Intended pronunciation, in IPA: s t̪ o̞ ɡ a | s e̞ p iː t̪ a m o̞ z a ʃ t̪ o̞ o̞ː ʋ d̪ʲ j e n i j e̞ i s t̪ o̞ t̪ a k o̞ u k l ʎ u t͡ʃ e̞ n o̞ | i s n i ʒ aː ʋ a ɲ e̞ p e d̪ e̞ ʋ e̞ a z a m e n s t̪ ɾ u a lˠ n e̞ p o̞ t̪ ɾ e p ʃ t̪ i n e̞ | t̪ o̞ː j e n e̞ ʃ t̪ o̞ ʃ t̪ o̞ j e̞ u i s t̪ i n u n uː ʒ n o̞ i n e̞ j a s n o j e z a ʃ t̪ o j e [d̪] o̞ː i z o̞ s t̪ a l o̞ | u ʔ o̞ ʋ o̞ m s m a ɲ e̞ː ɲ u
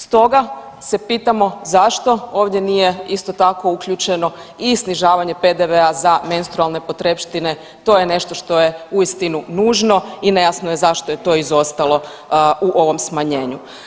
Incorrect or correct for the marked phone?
incorrect: t̪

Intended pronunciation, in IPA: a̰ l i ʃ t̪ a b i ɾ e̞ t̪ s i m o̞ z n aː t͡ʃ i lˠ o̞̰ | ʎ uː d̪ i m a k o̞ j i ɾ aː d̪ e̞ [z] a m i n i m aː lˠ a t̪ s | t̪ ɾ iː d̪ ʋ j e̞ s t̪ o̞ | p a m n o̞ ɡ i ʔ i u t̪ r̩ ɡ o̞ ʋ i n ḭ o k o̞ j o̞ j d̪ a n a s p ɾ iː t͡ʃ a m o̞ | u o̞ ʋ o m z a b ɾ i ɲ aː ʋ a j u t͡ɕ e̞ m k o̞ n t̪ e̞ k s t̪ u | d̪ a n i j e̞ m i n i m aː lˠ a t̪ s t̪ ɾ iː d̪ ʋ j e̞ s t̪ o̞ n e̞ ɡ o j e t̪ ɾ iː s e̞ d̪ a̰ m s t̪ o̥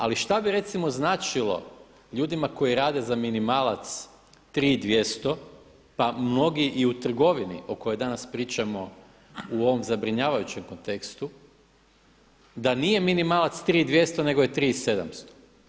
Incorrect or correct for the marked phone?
correct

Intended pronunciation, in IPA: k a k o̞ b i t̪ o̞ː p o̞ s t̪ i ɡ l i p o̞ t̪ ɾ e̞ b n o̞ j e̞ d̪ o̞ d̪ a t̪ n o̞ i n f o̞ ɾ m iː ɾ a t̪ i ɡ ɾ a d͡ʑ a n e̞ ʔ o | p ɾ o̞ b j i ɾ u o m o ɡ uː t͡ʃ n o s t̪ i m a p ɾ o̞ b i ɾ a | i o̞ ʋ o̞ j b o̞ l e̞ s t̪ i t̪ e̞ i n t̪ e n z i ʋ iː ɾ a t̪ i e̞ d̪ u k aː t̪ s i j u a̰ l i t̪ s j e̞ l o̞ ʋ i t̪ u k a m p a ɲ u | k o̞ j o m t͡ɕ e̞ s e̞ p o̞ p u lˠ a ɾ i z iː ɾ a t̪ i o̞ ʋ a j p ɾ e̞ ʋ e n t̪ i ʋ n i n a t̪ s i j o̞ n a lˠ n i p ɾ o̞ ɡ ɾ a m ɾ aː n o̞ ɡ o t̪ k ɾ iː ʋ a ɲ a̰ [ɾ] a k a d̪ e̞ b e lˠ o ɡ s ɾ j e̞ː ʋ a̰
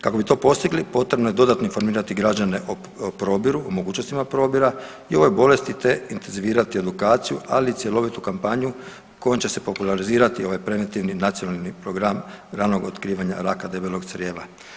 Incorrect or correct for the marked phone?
correct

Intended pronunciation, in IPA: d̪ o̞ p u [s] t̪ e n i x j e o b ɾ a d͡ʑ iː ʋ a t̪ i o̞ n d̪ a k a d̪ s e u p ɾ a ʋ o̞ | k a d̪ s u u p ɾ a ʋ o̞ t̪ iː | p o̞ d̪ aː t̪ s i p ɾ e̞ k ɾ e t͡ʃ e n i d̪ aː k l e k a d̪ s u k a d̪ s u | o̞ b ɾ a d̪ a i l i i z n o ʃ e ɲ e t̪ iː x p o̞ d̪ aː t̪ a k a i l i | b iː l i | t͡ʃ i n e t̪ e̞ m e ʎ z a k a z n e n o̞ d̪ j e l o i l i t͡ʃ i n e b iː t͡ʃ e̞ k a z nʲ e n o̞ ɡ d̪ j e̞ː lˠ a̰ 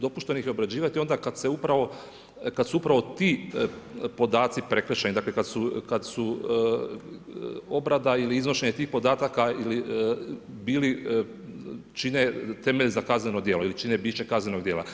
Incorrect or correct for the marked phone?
incorrect: ʃ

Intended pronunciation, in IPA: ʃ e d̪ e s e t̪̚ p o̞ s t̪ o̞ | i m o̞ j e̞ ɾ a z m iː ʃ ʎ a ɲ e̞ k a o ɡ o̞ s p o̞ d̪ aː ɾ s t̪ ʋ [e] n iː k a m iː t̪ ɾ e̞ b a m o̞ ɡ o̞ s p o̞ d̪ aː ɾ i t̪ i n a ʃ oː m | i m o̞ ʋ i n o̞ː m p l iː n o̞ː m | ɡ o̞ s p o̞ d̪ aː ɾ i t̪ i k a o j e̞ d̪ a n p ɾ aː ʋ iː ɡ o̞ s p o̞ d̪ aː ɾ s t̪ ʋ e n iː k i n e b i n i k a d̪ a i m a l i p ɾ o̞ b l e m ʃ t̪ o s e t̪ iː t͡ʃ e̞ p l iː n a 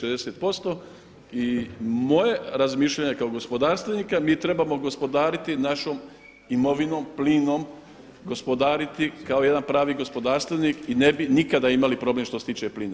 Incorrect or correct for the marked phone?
correct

